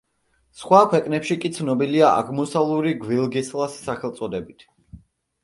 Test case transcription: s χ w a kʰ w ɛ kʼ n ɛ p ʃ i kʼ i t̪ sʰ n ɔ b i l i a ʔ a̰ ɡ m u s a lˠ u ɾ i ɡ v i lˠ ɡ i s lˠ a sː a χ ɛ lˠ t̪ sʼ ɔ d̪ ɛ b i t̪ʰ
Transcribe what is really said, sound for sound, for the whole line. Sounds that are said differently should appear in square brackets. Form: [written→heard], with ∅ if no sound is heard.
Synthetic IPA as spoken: s χ w a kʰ w ɛ kʼ n ɛ p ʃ i kʼ i t̪ sʰ n ɔ b i l i a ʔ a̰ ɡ m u s a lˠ u ɾ i ɡ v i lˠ ɡ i s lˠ a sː a χ ɛ lˠ t̪ sʼ ɔ d̪ ɛ b i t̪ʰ